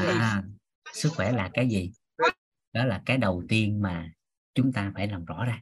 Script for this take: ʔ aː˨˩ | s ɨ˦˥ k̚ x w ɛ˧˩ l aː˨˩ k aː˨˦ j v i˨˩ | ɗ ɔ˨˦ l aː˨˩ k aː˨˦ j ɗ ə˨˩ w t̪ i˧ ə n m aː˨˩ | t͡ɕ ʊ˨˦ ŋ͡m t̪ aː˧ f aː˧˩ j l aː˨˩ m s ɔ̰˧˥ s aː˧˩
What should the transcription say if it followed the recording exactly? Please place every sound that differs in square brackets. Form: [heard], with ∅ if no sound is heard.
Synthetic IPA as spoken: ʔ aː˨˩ | s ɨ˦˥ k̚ x w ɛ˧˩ l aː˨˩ k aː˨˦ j [z] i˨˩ | ɗ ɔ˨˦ l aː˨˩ k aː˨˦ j ɗ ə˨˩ w t̪ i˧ ə n m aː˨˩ | t͡ɕ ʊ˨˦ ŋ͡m t̪ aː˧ f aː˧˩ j l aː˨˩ m [z] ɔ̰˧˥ [z] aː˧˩